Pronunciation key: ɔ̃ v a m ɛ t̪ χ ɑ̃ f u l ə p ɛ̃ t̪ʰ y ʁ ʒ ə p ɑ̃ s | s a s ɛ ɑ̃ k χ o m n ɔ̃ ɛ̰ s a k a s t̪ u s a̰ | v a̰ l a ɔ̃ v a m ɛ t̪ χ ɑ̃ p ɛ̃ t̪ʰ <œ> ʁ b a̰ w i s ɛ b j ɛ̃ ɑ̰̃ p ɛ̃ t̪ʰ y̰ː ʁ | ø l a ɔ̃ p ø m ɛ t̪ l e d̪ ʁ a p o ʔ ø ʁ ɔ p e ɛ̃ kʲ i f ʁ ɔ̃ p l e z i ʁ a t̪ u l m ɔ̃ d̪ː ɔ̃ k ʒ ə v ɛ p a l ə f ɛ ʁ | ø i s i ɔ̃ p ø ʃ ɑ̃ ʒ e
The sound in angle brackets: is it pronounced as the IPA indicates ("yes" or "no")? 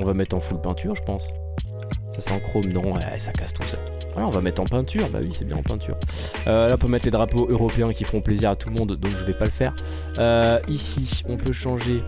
no